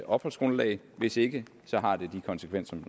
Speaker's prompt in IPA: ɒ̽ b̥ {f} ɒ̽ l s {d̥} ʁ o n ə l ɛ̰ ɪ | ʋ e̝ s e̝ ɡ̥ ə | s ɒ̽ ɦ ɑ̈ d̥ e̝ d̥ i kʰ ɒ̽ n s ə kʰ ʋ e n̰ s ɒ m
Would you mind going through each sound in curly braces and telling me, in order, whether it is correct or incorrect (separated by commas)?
incorrect, incorrect